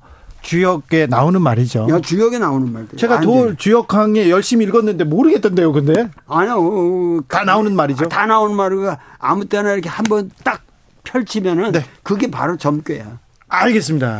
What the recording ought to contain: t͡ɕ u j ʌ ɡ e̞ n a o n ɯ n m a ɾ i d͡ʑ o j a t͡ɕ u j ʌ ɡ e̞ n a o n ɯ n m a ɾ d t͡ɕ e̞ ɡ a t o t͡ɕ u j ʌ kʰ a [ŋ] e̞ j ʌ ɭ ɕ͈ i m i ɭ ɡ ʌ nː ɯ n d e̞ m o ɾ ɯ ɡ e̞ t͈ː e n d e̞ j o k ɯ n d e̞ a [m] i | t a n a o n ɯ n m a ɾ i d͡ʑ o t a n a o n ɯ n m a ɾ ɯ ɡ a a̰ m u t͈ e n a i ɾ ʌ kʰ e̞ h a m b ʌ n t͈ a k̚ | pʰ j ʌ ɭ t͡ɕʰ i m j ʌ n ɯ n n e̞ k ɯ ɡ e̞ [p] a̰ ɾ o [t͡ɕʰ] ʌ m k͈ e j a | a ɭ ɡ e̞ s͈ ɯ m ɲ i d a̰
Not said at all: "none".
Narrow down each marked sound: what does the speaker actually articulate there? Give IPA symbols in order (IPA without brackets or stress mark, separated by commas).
ŋ, ɲ, p, t͡ɕ